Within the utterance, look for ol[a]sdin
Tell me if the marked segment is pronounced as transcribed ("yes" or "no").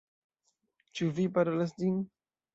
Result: yes